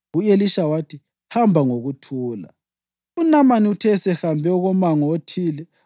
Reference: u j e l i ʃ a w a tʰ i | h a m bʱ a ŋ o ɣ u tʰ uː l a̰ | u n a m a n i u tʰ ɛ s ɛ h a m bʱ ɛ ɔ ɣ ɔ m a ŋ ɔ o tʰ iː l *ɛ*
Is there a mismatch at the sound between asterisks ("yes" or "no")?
no